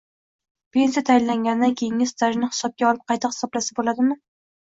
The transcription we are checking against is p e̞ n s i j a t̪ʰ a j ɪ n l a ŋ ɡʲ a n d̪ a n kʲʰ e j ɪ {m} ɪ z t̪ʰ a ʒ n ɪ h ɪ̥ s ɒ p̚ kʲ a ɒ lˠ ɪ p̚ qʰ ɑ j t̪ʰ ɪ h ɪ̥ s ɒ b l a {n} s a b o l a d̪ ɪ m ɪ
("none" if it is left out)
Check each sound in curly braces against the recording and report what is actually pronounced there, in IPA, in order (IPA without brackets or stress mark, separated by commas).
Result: ŋ, none